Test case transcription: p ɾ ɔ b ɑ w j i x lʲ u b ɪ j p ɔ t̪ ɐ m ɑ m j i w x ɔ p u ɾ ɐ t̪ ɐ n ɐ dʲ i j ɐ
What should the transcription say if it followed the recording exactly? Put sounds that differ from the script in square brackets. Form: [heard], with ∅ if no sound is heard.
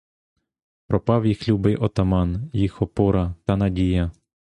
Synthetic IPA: p ɾ ɔ [p] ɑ w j i x lʲ u b ɪ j [ʔ] ɔ t̪ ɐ m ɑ [n] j i [∅] x ɔ p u ɾ ɐ t̪ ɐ n ɐ dʲ i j ɐ